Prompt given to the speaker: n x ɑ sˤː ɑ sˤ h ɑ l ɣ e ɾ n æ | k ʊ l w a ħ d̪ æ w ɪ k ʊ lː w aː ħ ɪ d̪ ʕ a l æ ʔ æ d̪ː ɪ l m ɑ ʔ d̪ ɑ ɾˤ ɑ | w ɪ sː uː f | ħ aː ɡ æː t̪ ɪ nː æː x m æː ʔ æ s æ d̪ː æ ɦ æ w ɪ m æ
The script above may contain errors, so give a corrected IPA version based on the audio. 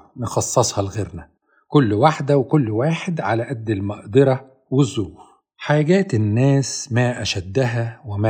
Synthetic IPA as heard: n x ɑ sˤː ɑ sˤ h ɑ l ɣ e ɾ n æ | k ʊ lː w a ħ d̪ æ w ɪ k ʊ lː w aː ħ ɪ d̪ ʕ a l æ ʔ æ d̪ː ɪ l m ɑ ʔ d̪ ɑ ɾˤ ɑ | w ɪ zː uː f | ħ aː ɡ æː t̪ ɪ nː æː s m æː ʔ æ ʃ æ d̪ː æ ɦ æ w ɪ m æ